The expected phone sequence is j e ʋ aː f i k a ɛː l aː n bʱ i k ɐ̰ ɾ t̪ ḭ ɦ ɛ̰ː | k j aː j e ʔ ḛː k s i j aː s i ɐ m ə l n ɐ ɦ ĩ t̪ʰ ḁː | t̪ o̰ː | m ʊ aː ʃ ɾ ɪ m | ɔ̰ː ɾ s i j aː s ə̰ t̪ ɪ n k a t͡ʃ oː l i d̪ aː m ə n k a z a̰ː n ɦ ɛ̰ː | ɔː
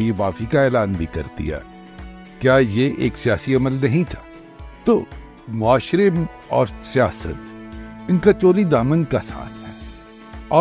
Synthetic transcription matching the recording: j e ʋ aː f i k a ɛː l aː n bʱ i k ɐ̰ ɾ t̪ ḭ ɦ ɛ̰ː | k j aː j e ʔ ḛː k s i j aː s i ɐ m ə l n ɐ ɦ ĩ t̪ʰ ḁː | t̪ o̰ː | m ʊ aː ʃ ɾ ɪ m | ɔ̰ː ɾ s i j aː s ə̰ t̪ ɪ n k a t͡ʃ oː l i d̪ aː m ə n k a s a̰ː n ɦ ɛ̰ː | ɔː